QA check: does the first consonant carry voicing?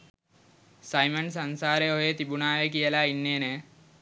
no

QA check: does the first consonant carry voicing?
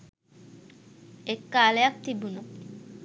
no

